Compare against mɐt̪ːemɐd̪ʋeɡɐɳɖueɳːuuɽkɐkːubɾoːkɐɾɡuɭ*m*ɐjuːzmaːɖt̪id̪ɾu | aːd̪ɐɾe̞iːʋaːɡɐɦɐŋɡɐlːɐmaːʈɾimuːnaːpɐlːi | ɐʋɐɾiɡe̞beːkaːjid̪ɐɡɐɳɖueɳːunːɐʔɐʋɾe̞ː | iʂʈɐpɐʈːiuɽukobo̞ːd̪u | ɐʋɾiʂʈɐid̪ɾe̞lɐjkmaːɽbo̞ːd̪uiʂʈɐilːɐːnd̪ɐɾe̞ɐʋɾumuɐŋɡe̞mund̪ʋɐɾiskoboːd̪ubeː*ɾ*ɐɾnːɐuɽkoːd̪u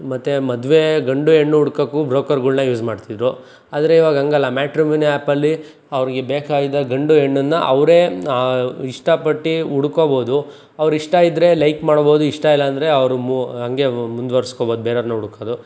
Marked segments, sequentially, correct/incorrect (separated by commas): incorrect, correct